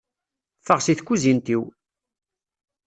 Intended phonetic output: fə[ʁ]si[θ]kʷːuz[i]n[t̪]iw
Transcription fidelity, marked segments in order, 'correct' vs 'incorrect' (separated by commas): correct, correct, correct, correct